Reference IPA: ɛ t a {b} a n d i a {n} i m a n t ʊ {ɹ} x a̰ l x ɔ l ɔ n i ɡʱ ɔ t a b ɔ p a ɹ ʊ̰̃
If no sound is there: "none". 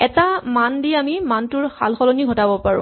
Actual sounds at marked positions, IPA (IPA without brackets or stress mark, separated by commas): m, m, ɹ